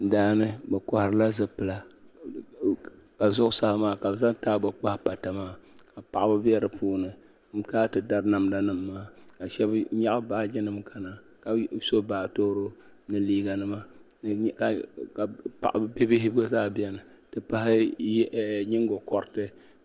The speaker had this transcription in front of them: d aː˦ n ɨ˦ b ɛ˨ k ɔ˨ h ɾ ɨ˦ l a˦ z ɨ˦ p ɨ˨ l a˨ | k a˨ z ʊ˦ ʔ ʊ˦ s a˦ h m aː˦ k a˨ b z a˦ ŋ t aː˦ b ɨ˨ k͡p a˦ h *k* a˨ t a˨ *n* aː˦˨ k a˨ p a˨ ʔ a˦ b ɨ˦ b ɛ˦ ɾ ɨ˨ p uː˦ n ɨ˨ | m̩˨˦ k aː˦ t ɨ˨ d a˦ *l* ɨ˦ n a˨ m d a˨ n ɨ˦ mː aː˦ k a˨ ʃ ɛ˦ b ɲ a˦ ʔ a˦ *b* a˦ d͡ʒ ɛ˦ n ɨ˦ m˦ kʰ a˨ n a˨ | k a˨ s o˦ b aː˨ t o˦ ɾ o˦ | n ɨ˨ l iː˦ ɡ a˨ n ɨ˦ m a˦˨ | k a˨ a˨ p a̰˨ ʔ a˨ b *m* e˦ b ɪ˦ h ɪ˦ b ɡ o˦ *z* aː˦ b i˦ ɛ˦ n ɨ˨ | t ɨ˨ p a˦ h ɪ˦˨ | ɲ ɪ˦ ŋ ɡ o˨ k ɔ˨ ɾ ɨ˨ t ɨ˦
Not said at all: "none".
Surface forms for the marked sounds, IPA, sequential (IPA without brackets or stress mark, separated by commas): p, m, ɾ, b, b, z